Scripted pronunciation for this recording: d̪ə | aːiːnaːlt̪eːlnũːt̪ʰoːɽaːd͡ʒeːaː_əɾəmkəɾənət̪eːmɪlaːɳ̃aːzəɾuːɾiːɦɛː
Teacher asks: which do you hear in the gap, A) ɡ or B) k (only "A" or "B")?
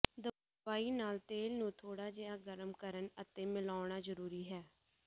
A